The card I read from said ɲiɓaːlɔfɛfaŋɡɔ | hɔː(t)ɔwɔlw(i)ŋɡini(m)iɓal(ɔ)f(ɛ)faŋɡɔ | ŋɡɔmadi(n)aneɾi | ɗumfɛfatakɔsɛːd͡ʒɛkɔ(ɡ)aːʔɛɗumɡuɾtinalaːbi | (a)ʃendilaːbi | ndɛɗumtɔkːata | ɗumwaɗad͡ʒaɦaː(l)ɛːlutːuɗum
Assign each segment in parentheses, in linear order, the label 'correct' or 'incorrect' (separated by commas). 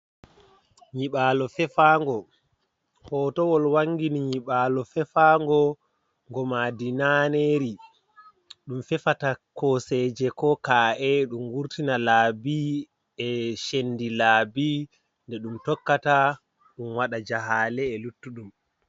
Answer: correct, incorrect, incorrect, correct, correct, correct, incorrect, incorrect, correct